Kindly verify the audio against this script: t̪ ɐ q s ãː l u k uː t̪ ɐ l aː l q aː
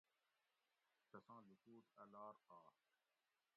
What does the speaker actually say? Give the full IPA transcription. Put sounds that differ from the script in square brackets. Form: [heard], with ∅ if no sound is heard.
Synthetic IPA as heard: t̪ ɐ [∅] s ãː l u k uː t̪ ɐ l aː [ɾ] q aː